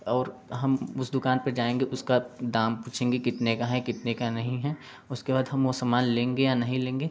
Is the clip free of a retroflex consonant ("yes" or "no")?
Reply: yes